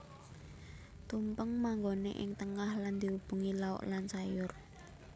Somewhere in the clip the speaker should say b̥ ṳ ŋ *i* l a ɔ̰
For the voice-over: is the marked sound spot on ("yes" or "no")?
yes